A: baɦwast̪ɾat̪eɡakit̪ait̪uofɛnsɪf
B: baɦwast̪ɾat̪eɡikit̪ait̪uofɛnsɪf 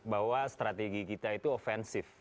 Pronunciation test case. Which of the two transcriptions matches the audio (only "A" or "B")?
B